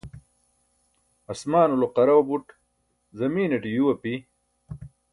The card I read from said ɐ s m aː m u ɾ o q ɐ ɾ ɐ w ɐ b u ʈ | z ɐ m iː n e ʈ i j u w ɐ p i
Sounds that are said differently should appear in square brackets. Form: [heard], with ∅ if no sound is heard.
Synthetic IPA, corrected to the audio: ɐ s m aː [n] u [l] o q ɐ ɾ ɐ w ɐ b u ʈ | z ɐ m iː n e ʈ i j u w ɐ p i